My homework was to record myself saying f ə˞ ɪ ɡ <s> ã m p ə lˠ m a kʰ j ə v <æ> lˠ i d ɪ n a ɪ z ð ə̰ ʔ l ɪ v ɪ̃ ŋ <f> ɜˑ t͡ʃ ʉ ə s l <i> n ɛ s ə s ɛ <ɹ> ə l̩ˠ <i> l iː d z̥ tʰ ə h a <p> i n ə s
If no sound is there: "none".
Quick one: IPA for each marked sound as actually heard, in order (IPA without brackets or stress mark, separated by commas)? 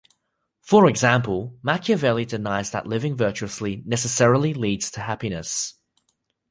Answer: z, ɛ, v, i, ɹ, i, p